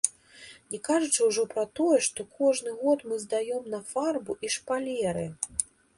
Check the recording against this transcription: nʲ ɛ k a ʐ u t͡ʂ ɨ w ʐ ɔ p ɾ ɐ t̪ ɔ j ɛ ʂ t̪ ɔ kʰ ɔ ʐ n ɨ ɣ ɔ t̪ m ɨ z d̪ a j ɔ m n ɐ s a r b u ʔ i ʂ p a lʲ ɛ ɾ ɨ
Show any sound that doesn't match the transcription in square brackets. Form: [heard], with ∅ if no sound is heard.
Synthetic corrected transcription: nʲ ɛ k a ʐ u t͡ʂ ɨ w ʐ ɔ p ɾ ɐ t̪ ɔ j ɛ ʂ t̪ ɔ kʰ ɔ ʐ n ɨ ɣ ɔ t̪ m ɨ z d̪ a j ɔ m n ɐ [f] a r b u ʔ i ʂ p a lʲ ɛ ɾ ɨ